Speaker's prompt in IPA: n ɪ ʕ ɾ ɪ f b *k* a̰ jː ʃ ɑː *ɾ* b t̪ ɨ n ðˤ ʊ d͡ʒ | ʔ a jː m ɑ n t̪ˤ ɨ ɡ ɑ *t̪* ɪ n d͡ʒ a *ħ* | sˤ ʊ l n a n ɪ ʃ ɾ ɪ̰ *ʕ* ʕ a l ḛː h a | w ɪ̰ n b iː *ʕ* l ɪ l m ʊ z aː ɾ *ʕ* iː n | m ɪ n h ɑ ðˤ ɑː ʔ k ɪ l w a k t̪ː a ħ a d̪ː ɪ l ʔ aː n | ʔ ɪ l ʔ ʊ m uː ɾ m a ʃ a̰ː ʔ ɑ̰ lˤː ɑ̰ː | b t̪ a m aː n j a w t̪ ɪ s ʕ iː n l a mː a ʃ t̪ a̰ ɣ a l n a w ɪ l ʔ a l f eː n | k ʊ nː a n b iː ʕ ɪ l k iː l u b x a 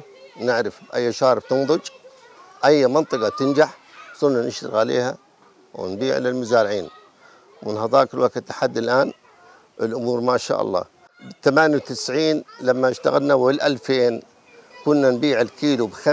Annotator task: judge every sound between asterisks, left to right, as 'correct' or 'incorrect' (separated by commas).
incorrect, correct, correct, correct, incorrect, correct, correct